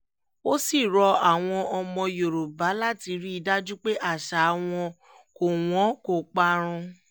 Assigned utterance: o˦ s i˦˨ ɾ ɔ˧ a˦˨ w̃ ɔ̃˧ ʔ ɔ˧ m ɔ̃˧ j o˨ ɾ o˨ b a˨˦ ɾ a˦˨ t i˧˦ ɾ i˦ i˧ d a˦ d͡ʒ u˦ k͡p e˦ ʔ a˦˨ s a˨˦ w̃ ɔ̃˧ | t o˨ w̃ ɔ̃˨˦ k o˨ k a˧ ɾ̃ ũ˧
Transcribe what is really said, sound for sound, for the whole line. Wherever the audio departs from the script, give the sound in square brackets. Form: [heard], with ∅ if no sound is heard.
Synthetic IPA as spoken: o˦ s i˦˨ ɾ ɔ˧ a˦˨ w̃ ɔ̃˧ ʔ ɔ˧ m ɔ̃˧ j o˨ ɾ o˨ b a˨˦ [l] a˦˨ t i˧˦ ɾ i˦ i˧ d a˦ d͡ʒ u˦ k͡p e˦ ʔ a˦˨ [ʃ] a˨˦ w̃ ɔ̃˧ | [k] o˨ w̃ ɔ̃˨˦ k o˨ [k͡p] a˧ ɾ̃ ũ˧